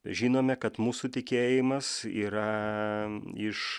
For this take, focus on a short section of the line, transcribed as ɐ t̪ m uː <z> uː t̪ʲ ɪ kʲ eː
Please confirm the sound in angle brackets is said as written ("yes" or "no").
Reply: no